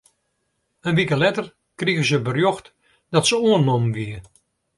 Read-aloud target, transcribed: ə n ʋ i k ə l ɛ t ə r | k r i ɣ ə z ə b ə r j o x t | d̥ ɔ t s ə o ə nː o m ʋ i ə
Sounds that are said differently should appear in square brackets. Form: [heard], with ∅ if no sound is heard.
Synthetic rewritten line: ə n ʋ i k ə l ɛ t ə r | k r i ɣ ə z ə b ə r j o x t | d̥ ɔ t s ə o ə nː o m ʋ i ə